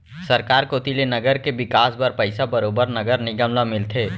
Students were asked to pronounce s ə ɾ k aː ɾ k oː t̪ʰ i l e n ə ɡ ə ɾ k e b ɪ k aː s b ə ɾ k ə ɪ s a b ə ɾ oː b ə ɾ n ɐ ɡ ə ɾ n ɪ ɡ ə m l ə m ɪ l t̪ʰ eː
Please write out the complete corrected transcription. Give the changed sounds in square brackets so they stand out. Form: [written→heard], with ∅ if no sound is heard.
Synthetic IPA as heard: s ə ɾ k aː ɾ k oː [t̪ʰ→t̪] i l e n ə ɡ ə ɾ k e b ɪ k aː s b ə ɾ [k→p] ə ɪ s a b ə ɾ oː b ə ɾ n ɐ ɡ ə ɾ n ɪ ɡ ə m l [ə→a] m ɪ l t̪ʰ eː